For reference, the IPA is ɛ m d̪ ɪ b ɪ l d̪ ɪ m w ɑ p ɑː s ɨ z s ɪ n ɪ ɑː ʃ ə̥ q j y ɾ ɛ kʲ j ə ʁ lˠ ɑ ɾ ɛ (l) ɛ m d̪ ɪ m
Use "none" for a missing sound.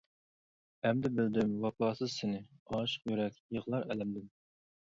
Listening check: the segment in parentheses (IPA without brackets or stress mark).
l